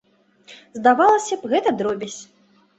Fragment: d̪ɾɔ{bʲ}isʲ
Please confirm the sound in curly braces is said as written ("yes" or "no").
yes